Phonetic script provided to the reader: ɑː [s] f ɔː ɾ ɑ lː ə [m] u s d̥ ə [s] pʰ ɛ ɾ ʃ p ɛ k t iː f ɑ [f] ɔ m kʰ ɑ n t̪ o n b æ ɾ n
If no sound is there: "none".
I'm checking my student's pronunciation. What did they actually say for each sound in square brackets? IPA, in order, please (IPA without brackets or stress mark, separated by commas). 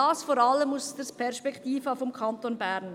s, m, s, f